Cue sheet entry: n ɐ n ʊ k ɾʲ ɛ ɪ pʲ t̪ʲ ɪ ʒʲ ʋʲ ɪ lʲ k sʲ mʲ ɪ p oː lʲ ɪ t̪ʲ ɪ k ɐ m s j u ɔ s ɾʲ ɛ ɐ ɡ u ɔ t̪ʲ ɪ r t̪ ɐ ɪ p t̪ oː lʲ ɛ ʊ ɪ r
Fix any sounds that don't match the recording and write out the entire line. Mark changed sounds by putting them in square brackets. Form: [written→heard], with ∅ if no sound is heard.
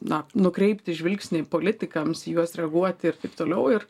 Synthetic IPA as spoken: n ɐ n ʊ k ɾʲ ɛ ɪ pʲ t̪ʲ ɪ ʒʲ ʋʲ ɪ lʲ k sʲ [mʲ→nʲ] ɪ p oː lʲ ɪ t̪ʲ ɪ k ɐ m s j u ɔ s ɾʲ ɛ ɐ ɡ u ɔ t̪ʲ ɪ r t̪ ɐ ɪ p t̪ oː lʲ ɛ ʊ ɪ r